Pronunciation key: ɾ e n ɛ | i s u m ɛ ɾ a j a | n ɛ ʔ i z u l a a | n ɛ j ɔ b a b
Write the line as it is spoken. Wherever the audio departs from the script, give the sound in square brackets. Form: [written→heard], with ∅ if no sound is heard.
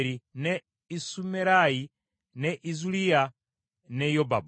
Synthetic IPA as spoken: ɾ [e→i] n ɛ | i s u m ɛ ɾ a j [a→i] | n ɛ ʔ i z u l [a→i] a | n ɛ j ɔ b a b